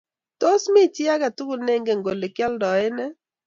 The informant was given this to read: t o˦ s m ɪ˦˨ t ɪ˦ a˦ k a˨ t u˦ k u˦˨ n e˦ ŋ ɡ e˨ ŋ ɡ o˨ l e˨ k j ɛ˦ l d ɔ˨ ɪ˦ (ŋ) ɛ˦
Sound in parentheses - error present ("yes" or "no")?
yes